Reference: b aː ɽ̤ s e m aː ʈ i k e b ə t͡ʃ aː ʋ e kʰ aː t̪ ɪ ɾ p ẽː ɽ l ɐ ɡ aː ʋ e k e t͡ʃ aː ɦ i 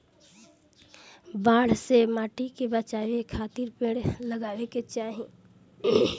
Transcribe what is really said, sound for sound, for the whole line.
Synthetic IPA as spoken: b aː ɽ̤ s e m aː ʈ i k e b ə t͡ʃ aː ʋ e kʰ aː t̪ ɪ ɾ p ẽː ɽ l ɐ ɡ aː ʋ e k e t͡ʃ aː ɦ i